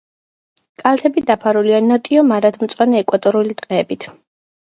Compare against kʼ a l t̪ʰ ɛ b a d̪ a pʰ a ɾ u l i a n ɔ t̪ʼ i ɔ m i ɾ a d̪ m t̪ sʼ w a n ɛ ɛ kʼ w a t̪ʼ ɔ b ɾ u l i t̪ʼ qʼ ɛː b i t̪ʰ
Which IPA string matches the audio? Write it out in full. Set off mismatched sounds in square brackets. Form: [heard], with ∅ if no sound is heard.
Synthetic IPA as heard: kʼ a l t̪ʰ ɛ b [i] d̪ a pʰ a ɾ u l i a n ɔ t̪ʼ i ɔ m [a] ɾ a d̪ m t̪ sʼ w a n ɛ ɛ kʼ w a t̪ʼ ɔ [∅] ɾ u l i t̪ʼ qʼ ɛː b i t̪ʰ